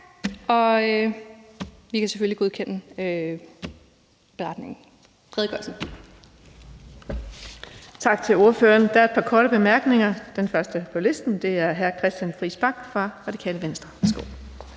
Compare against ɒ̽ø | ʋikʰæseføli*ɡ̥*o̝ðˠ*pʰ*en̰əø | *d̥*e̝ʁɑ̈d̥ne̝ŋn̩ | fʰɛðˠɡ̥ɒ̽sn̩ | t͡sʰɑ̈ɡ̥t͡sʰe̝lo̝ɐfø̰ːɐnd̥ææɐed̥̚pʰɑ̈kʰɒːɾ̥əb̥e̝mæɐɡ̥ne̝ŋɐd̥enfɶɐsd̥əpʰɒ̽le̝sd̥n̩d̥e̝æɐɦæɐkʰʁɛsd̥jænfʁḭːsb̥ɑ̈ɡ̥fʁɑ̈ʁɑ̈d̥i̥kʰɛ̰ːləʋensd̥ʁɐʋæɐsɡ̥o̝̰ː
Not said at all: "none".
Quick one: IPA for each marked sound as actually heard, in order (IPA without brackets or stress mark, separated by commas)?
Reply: ɡ̥, kʰ, b̥